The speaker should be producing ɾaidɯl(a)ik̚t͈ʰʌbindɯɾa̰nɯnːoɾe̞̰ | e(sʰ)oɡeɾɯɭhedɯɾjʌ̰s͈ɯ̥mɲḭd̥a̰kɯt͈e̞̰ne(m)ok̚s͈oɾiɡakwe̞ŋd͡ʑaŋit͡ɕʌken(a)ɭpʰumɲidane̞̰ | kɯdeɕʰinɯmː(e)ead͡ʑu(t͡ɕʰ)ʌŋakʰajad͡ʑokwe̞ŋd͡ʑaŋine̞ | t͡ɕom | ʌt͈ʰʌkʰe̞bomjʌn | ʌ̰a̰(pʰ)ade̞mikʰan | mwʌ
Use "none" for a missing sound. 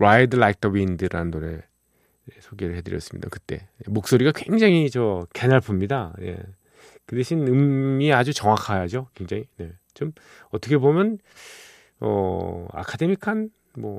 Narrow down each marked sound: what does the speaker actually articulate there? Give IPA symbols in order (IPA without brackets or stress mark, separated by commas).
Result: a, sʰ, m, a, i, t͡ɕ, kʰ